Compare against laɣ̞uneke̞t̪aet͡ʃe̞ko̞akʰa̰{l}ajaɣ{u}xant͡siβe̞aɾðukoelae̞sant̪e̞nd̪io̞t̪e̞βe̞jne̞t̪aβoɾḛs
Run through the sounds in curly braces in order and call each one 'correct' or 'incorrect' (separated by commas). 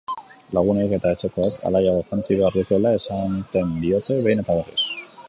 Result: correct, incorrect